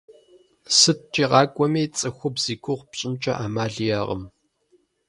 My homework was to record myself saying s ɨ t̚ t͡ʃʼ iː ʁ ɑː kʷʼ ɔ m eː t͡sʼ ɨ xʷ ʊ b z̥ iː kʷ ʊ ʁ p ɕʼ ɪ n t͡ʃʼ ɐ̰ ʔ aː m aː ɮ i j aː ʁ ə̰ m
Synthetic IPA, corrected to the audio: s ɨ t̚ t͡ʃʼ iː ʁ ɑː kʷʼ ɔ m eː t͡sʼ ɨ xʷ ʊ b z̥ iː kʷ ʊ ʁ p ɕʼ ɪ n t͡ʃʼ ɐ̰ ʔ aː m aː ɮ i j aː ʁ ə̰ m

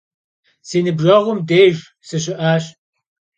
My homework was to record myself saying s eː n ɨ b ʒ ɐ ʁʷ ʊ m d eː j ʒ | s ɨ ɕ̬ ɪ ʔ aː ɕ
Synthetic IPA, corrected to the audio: s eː n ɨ b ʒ ɐ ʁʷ ʊ m d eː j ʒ | s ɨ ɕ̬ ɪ ʔ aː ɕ

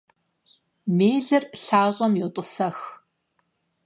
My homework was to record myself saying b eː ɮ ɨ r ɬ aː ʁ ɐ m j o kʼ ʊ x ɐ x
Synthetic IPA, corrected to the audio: m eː ɮ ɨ r ɬ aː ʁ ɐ m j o tʼ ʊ s ɐ x

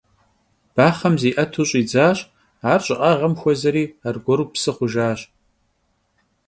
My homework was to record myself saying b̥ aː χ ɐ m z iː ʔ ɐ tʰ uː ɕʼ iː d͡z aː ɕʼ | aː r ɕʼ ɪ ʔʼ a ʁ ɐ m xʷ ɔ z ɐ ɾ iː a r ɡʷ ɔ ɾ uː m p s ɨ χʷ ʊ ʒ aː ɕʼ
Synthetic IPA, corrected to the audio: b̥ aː χ ɐ m z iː ʔ ɐ tʰ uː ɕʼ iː d͡z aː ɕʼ | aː r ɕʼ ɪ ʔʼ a ʁ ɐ m xʷ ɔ z ɐ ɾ iː a r ɡʷ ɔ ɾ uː p s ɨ χʷ ʊ ʒ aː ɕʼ

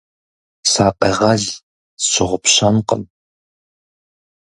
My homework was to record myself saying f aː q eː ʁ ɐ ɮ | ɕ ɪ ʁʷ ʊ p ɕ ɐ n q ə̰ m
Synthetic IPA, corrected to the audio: s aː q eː ʁ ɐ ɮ | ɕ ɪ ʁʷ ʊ p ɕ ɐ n q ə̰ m

